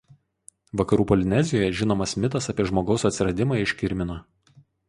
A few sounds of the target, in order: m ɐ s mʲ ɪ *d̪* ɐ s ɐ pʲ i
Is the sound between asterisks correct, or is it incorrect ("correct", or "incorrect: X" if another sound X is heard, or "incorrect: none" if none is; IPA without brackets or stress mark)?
incorrect: t̪